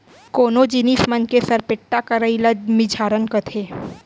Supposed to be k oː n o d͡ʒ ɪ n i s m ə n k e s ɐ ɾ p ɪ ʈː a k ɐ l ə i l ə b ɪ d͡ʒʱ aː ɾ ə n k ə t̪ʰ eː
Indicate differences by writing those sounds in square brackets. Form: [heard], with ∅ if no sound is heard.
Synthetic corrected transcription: k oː n o d͡ʒ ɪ n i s m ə n k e s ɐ ɾ p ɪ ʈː a k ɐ [ɾ] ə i l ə [m] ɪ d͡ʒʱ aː ɾ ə n k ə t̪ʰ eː